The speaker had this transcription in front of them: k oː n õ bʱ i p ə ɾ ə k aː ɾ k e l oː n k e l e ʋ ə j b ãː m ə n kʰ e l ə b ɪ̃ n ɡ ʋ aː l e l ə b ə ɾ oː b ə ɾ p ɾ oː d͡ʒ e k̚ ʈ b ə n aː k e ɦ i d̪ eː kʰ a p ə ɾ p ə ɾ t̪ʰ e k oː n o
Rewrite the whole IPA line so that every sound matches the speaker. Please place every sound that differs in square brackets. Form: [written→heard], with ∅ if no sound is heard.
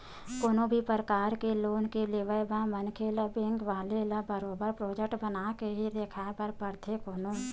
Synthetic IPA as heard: k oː n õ bʱ i p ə ɾ ə k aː ɾ k e l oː n k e l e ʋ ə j b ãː m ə n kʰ e l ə b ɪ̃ [n→ŋ] ɡ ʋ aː l e l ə b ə ɾ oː b ə ɾ p ɾ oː d͡ʒ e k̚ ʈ b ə n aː k e ɦ i d̪ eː kʰ a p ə ɾ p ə ɾ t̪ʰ e k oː n o

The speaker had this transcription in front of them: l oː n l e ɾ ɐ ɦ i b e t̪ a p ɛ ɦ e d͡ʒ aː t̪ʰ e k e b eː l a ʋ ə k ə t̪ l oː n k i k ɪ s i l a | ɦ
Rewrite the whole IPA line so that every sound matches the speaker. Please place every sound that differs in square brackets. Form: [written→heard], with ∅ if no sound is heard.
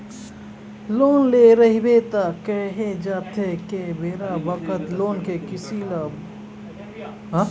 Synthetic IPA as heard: l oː n l e ɾ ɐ ɦ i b e t̪ a [p→k] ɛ ɦ e d͡ʒ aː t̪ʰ e k e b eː [l→ɾ] a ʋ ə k ə t̪ l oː n k [i→e] k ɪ s i l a | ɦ

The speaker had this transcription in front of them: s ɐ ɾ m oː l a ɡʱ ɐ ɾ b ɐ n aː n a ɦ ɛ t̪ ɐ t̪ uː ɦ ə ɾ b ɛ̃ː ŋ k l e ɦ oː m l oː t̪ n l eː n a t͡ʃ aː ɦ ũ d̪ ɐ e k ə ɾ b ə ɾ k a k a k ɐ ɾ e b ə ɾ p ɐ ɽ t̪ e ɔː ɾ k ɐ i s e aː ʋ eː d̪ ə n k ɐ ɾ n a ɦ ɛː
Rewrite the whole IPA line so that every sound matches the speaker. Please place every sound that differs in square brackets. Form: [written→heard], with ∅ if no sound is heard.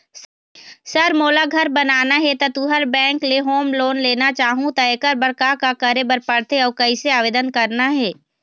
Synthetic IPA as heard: s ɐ ɾ m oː l a ɡʱ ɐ ɾ b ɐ n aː n a ɦ ɛ t̪ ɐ t̪ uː ɦ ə ɾ b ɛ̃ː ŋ k l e ɦ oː m l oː [t̪→∅] n l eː n a t͡ʃ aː ɦ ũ [d̪→t̪] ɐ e k ə ɾ b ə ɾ k a k a k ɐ ɾ e b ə ɾ p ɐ ɽ t̪ e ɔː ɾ k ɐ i s e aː ʋ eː d̪ ə n k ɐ ɾ n a ɦ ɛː

